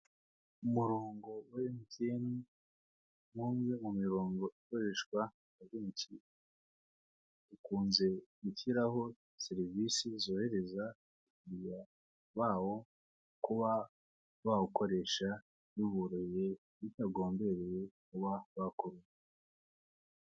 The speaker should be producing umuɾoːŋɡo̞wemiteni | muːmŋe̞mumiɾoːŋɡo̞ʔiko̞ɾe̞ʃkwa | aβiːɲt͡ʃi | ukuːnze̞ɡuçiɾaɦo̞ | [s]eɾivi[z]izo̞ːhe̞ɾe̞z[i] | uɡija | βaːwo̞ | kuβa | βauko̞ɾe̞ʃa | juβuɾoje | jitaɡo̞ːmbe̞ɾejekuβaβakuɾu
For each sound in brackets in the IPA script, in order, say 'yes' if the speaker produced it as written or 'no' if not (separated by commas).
yes, no, no